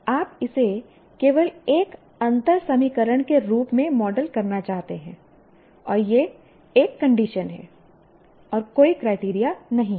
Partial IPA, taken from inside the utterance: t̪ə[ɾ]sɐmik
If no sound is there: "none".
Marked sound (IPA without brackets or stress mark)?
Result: ɾ